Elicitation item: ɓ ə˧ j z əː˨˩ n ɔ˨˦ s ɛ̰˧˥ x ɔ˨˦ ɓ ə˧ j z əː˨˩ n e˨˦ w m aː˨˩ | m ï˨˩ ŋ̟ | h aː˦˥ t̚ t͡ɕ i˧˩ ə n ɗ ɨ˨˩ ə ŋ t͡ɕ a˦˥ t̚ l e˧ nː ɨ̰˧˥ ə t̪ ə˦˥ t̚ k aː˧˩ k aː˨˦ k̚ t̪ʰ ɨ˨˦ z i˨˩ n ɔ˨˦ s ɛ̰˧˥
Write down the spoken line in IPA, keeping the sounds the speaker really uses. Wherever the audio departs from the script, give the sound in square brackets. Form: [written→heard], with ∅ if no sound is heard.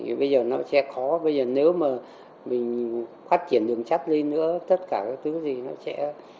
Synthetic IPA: ɓ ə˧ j z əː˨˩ n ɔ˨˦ s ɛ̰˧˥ x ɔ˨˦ ɓ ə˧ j z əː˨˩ n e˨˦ w m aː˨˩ | m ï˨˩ ŋ̟ | [h→f] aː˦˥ t̚ t͡ɕ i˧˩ ə n ɗ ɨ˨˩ ə ŋ t͡ɕ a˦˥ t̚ l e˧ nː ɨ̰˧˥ ə t̪ ə˦˥ t̚ k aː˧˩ k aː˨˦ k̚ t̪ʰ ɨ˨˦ z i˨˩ n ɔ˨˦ s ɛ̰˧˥